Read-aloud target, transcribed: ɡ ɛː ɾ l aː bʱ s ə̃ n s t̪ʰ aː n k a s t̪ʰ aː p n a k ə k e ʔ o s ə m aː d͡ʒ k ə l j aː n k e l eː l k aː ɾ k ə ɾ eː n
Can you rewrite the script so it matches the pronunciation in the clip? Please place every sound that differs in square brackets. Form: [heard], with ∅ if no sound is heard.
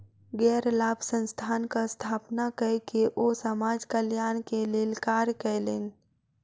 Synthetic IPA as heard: ɡ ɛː ɾ l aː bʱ s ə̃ n s t̪ʰ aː n k a s t̪ʰ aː p n a k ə k e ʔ o s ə m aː d͡ʒ k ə l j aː n k e l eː l k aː ɾ k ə [l] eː n